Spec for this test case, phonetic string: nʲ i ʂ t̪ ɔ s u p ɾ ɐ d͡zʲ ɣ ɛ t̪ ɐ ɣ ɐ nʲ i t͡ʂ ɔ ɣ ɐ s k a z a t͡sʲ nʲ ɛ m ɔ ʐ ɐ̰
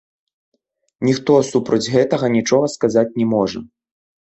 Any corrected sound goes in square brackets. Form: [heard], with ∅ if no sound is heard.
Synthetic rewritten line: nʲ i [x] t̪ ɔ s u p ɾ ɐ d͡zʲ ɣ ɛ t̪ ɐ ɣ ɐ nʲ i t͡ʂ ɔ ɣ ɐ s k a z a t͡sʲ nʲ ɛ m ɔ ʐ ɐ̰